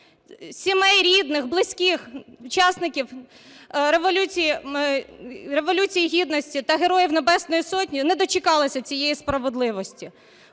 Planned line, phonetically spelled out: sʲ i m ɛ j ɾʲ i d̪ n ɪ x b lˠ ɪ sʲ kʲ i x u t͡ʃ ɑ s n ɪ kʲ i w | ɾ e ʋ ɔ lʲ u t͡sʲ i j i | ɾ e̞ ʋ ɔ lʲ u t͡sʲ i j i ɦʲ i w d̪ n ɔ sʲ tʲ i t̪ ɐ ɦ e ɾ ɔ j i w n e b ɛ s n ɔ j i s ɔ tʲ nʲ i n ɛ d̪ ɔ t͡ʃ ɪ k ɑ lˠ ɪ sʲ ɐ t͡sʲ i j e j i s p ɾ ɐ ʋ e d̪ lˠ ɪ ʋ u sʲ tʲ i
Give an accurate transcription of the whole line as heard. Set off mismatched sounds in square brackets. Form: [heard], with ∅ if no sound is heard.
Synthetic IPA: sʲ i m ɛ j ɾʲ i d̪ n ɪ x b lˠ ɪ sʲ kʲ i x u t͡ʃ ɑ s n ɪ kʲ i w | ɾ e ʋ ɔ lʲ u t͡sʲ i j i | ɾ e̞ ʋ ɔ lʲ u t͡sʲ i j i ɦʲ i [∅] d̪ n ɔ sʲ tʲ i t̪ ɐ ɦ e ɾ ɔ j i w n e b ɛ s n ɔ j i s ɔ tʲ nʲ i n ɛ d̪ ɔ t͡ʃ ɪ k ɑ lˠ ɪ sʲ ɐ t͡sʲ i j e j i s p ɾ ɐ ʋ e d̪ lˠ ɪ ʋ [ɔ] sʲ tʲ i